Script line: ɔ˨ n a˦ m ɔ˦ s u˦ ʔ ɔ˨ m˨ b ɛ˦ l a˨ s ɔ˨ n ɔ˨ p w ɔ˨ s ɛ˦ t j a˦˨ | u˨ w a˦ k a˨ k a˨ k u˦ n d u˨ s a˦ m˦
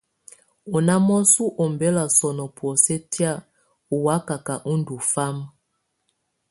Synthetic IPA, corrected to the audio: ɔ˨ n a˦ m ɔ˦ s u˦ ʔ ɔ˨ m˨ b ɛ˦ l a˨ s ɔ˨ n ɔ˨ p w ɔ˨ s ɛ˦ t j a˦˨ | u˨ w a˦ k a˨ k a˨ ʔ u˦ n d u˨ f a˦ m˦